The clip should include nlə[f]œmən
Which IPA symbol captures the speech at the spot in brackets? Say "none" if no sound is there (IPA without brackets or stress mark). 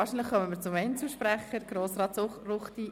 χ